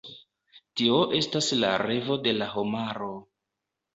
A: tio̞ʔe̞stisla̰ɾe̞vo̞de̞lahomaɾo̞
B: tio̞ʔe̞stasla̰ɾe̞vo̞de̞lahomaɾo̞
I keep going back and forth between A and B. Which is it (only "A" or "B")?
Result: B